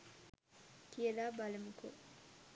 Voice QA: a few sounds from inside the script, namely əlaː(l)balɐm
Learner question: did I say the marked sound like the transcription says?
no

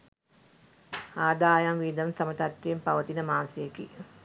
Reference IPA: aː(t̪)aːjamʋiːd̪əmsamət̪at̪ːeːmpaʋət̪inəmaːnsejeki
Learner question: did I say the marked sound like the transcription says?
no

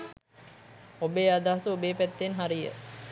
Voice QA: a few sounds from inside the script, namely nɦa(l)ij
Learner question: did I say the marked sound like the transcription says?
no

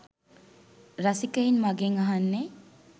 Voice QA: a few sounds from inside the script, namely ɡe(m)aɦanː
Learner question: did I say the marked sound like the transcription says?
no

